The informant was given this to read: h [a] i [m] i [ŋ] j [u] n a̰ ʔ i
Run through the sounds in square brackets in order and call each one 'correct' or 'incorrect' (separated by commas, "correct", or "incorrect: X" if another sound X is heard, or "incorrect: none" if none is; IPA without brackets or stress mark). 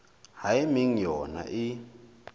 correct, correct, correct, incorrect: ɔ